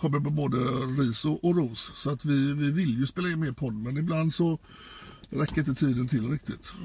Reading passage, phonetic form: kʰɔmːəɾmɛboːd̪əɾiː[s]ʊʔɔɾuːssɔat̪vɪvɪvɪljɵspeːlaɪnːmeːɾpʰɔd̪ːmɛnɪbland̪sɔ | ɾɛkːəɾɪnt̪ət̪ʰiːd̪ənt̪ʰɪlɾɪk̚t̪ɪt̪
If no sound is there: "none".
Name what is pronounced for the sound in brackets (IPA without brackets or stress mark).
s